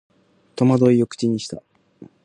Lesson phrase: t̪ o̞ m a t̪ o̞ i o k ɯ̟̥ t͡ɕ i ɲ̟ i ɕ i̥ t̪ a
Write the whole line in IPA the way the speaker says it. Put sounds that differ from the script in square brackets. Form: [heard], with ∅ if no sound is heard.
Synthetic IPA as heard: t̪ o̞ m a [d̪] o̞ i o k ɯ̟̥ t͡ɕ i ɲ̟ i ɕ i̥ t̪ a